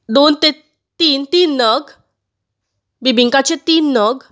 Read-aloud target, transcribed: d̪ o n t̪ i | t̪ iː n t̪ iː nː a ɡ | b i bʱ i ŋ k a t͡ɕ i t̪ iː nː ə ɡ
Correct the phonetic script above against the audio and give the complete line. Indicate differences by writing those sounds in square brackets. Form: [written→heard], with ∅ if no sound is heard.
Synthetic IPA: d̪ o n t̪ [i→e] | t̪ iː n t̪ iː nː [a→ə] ɡ | b i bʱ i ŋ k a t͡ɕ [i→e] t̪ iː nː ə ɡ